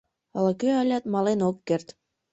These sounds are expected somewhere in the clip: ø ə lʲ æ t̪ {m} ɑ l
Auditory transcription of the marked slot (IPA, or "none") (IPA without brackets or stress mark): m